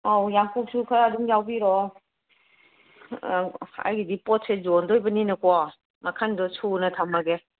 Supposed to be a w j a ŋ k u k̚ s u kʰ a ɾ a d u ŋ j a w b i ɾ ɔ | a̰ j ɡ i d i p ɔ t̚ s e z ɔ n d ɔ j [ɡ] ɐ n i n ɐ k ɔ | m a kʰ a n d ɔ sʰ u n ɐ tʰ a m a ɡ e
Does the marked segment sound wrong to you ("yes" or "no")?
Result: yes